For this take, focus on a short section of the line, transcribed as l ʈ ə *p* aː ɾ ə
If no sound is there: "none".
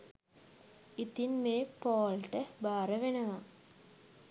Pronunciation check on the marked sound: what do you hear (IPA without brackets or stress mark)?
b